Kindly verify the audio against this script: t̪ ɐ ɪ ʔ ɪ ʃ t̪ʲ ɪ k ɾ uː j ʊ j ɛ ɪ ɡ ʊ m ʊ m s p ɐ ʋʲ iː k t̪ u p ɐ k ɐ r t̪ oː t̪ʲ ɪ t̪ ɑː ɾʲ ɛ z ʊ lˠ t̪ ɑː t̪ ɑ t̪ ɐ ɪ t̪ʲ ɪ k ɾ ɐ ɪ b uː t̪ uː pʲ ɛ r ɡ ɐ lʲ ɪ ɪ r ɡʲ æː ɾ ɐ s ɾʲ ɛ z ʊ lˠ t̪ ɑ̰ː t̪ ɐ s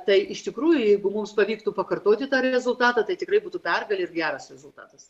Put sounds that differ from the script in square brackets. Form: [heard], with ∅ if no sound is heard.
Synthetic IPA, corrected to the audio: t̪ ɐ ɪ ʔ ɪ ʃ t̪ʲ ɪ k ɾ uː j ʊ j ɛ ɪ ɡ ʊ m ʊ m s p ɐ ʋʲ iː k t̪ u p ɐ k ɐ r t̪ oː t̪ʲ ɪ t̪ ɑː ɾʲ ɛ z ʊ lˠ t̪ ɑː t̪ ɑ t̪ ɐ ɪ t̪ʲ ɪ k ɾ ɐ ɪ b uː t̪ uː pʲ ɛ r ɡ ɐ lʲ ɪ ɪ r ɡʲ æː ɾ ɐ s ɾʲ ɛ z ʊ lˠ t̪ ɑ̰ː t̪ ɐ s